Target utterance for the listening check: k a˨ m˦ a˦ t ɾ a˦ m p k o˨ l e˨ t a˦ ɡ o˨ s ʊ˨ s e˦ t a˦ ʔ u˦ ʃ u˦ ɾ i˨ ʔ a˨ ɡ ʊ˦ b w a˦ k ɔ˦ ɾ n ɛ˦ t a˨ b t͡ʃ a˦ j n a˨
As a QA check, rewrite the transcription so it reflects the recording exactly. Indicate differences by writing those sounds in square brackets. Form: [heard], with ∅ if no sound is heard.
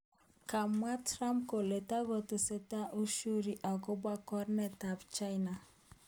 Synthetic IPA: k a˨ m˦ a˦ t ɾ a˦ m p k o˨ l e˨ t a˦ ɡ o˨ [t] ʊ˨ s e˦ t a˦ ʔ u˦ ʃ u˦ ɾ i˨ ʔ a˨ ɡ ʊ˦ b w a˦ k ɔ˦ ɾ n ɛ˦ t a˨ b t͡ʃ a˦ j n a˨